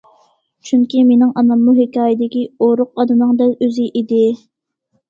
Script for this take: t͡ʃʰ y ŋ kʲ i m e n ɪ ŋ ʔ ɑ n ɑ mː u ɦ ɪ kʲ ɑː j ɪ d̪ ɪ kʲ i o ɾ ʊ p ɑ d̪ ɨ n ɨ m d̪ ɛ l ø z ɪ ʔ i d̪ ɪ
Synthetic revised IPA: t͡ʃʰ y ŋ kʲ i m e n ɪ ŋ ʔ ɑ n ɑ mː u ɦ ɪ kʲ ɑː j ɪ d̪ ɪ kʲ i o ɾ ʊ q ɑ d̪ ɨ n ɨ ŋ d̪ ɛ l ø z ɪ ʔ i d̪ ɪ